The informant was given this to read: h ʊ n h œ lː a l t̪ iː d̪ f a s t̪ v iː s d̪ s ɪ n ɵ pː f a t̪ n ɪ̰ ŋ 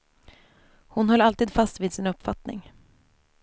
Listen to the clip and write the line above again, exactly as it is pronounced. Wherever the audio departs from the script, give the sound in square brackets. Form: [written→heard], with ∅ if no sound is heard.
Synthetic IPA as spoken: h ʊ n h œ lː a l t̪ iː d̪ f a s t̪ v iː [s→∅] d̪ s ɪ n ɵ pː f a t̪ n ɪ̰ ŋ